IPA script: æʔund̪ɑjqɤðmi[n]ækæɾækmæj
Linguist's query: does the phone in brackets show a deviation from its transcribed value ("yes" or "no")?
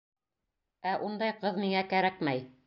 yes